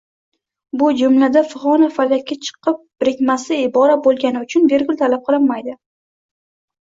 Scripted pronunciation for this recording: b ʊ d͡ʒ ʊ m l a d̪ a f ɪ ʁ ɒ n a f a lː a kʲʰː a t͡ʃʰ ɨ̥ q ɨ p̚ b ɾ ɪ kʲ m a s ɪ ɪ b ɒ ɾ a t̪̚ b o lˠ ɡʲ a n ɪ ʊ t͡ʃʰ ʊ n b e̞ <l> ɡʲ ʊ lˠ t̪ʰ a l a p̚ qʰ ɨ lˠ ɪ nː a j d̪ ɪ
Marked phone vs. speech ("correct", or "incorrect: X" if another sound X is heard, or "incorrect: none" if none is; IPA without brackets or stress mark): incorrect: ɾ